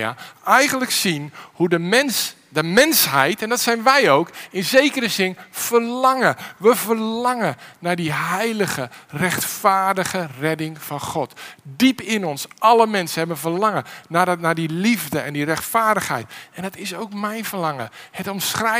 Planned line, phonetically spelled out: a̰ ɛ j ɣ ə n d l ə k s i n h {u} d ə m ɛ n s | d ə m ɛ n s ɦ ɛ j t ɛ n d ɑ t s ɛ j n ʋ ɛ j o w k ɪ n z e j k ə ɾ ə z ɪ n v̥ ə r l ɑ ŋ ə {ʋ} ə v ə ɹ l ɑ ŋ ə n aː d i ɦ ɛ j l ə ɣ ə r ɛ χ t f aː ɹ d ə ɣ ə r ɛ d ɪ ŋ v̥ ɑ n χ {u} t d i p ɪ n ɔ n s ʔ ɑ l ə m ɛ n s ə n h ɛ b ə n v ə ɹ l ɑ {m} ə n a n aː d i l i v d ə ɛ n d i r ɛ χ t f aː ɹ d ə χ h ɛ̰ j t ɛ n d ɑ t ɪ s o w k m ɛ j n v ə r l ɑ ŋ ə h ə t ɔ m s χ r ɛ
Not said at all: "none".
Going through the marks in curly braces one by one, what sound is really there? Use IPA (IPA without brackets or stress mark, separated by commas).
u, ʋ, ɔ, ŋ